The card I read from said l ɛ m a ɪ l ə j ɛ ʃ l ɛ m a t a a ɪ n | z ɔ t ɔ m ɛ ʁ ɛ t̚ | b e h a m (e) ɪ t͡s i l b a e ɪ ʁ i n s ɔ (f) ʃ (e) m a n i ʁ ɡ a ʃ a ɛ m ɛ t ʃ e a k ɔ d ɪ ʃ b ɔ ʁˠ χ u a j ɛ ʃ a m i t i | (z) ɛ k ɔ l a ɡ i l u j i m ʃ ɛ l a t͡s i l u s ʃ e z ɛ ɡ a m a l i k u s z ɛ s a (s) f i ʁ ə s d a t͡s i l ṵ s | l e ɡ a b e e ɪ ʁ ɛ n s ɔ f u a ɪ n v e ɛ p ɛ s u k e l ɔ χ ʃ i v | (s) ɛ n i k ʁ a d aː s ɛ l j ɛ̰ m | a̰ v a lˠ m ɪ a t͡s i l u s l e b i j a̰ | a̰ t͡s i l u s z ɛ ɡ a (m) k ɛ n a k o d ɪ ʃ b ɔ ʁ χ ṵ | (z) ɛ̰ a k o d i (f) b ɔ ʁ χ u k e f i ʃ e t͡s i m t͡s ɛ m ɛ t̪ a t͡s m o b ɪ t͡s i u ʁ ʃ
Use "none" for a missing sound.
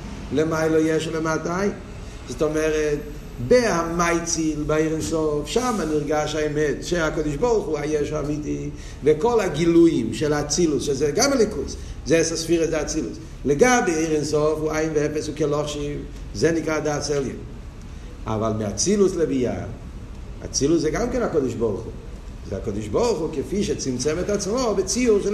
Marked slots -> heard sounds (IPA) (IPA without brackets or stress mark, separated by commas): a, f, a, v, s, z, m, z, ʃ